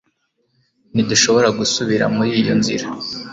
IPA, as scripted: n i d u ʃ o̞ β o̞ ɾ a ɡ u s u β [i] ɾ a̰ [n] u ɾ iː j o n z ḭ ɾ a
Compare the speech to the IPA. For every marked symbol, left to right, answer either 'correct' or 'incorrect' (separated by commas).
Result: correct, incorrect